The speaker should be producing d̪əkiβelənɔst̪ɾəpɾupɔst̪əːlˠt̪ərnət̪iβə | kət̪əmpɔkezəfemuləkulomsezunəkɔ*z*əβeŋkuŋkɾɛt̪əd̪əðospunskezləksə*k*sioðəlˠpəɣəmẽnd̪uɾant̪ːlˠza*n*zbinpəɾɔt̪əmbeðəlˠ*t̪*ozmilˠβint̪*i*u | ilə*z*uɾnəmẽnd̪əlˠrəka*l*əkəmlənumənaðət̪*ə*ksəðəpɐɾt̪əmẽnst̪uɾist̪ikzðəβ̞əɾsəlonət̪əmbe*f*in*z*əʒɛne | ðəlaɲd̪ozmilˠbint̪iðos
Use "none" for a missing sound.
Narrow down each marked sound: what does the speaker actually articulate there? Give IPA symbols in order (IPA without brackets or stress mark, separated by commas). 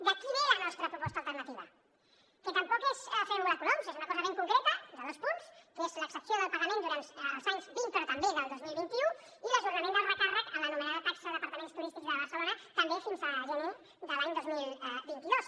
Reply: z, p, ɲ, d̪, i, ʒ, r, a, f, z